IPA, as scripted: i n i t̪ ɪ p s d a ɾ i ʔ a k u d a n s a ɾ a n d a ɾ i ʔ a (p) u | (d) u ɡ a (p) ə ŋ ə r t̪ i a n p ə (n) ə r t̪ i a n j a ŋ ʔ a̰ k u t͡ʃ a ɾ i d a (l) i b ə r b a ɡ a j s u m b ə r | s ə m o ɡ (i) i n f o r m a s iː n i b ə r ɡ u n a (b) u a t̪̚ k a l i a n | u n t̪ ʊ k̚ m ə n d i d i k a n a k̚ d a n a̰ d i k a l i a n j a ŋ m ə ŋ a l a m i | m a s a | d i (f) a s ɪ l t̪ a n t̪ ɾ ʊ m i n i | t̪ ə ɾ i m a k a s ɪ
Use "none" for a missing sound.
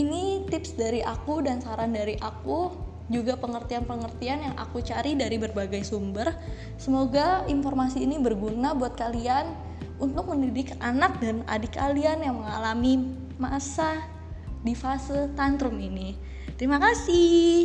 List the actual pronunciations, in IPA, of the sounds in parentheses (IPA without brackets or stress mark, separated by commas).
k, d͡ʒ, p, ŋ, ɾ, a, b, f